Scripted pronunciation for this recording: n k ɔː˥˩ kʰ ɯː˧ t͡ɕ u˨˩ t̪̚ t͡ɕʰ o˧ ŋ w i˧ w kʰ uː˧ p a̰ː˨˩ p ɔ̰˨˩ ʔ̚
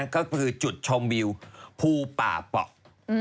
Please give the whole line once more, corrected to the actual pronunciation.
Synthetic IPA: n k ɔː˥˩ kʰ ɯː˧ t͡ɕ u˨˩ t̪̚ t͡ɕʰ o˧ m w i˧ w pʰ uː˧ p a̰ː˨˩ p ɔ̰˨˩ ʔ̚